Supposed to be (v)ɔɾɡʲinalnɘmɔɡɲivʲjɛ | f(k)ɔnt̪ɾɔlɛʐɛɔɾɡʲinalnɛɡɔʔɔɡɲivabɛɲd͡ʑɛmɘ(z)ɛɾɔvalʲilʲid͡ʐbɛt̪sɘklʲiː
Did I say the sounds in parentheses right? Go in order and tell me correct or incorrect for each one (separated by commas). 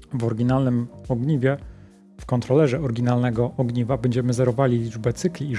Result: correct, correct, correct